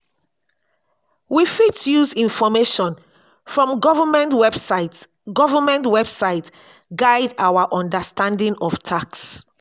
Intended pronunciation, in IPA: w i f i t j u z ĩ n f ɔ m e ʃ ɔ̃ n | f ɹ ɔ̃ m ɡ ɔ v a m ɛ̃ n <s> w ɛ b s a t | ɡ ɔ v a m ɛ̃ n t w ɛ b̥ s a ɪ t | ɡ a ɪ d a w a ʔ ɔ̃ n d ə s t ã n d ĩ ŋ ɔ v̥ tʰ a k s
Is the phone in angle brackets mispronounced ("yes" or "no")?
yes